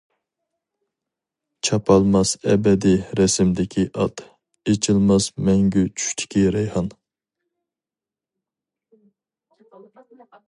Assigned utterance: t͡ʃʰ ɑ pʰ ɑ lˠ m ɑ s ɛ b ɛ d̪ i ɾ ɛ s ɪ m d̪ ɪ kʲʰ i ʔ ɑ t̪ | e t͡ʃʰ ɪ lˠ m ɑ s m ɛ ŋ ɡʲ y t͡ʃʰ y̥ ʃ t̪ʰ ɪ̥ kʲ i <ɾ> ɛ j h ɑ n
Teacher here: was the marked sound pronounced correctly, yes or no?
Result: yes